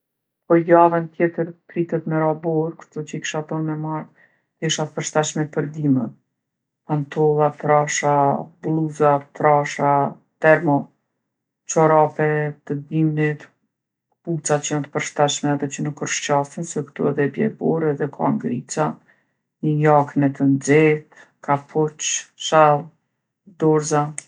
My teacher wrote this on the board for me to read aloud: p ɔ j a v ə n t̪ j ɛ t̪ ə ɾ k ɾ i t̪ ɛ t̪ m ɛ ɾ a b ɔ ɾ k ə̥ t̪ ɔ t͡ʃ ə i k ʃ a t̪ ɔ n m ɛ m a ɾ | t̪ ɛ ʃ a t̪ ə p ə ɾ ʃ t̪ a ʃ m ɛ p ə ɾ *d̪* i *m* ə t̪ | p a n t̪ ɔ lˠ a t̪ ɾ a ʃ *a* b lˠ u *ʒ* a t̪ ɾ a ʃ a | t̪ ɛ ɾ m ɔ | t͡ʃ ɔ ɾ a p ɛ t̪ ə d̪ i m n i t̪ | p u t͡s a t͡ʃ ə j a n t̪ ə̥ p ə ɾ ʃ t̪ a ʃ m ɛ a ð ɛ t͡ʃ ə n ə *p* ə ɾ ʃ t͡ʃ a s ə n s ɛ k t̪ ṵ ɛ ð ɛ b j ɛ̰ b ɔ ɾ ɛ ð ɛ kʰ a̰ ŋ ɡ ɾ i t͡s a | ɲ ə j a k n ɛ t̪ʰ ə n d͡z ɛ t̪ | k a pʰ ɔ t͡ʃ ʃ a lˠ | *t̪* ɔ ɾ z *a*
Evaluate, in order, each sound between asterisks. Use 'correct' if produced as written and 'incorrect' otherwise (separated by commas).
correct, correct, correct, incorrect, incorrect, incorrect, correct